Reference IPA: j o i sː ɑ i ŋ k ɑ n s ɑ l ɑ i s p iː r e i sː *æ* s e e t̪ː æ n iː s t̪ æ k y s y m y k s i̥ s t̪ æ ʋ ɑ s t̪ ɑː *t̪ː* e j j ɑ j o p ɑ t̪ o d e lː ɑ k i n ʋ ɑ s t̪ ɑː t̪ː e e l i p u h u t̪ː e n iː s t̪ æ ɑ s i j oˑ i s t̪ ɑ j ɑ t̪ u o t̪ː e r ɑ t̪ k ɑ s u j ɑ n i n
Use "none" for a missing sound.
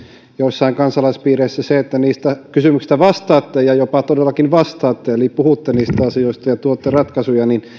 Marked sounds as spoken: æ, t̪ː

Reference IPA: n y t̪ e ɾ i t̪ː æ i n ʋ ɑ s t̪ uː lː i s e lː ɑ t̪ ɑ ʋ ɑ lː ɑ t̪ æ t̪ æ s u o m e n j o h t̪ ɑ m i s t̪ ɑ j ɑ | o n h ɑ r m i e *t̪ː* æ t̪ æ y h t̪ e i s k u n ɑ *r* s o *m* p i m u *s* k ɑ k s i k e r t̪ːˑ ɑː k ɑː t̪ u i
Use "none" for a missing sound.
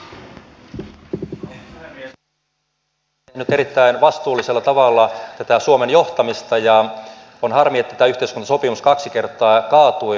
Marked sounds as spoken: t̪ː, none, none, s

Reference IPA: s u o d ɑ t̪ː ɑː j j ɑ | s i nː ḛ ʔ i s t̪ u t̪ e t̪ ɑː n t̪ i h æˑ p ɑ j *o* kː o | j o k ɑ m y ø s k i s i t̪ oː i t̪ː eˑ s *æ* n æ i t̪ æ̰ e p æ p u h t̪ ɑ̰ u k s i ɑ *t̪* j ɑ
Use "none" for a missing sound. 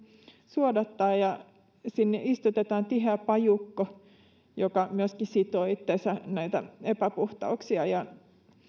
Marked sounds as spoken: u, æ, none

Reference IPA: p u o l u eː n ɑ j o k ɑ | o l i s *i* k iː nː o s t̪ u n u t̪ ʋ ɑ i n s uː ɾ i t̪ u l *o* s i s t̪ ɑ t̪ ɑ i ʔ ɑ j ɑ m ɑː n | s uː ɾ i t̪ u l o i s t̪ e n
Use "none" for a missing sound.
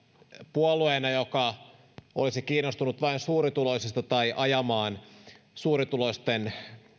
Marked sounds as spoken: i, o

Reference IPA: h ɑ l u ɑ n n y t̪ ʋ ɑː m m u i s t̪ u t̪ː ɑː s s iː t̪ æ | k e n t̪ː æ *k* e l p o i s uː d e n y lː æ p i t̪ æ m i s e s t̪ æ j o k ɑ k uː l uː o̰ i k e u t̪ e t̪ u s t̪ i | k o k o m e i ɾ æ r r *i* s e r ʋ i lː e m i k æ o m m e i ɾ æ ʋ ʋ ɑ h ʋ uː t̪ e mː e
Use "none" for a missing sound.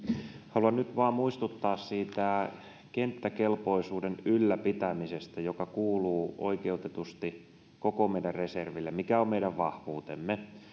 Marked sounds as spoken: k, e

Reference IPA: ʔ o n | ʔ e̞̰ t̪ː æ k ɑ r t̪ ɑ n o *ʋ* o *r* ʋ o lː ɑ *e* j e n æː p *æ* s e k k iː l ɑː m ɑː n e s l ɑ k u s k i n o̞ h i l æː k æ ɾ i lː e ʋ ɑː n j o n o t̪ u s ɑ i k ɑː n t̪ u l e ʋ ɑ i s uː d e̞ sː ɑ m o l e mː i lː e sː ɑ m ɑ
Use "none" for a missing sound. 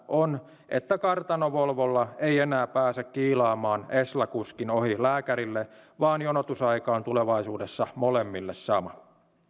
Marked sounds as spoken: ʋ, l, e, æː

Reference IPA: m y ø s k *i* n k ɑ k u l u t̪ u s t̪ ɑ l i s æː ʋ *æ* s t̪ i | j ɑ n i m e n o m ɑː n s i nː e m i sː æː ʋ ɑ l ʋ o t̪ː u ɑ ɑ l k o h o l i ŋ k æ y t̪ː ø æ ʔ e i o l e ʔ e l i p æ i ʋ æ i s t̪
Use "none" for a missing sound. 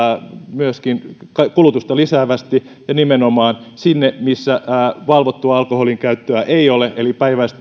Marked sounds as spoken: i, æ

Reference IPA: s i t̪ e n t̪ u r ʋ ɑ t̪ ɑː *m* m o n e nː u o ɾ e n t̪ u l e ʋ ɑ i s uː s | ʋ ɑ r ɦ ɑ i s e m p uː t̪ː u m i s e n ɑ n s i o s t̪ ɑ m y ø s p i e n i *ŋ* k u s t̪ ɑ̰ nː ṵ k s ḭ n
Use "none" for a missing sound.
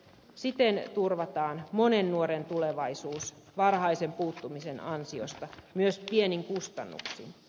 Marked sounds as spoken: n, ŋ

